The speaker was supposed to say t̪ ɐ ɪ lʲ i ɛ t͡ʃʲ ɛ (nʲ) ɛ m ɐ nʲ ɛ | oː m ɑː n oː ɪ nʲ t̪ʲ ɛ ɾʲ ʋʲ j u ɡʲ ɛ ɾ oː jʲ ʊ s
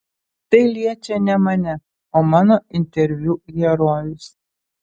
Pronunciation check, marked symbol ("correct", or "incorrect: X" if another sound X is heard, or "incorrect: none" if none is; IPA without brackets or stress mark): correct